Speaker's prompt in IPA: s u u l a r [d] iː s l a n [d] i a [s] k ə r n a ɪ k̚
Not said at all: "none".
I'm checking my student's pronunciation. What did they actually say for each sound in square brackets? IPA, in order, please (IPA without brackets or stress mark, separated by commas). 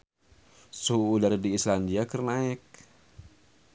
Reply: d, d, none